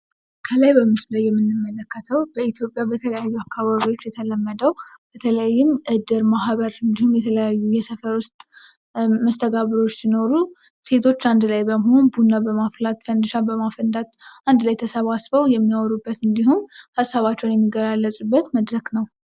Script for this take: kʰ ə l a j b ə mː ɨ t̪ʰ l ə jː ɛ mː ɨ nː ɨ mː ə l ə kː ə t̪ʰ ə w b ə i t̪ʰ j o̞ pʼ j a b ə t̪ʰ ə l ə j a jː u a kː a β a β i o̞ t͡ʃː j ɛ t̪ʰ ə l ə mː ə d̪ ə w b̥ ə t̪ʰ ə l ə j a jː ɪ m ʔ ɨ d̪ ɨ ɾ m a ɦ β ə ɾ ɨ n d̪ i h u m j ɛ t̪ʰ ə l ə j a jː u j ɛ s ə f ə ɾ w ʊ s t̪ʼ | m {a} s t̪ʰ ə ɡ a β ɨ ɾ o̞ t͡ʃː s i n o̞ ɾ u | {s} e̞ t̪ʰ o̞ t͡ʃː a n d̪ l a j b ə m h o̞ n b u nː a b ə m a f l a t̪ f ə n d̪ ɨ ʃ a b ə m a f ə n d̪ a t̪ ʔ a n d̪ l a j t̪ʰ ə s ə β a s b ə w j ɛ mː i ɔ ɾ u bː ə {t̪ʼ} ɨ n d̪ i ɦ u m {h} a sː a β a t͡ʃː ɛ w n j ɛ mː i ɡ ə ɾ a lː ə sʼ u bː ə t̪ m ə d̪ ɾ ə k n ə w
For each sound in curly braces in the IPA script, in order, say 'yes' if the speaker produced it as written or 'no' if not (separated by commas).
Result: no, yes, no, yes